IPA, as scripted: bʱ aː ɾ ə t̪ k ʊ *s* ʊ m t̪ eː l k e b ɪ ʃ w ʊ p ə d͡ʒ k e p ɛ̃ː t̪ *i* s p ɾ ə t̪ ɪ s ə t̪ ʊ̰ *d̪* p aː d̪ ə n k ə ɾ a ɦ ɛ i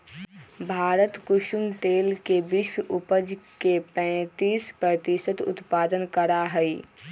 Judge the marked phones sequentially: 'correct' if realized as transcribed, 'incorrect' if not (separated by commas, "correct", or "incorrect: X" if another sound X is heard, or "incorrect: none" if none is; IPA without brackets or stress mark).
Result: incorrect: ʃ, incorrect: iː, incorrect: t̪